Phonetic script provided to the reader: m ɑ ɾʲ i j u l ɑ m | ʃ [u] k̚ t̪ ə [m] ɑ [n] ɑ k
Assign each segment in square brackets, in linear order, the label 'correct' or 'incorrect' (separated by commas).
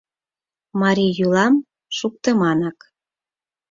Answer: correct, correct, correct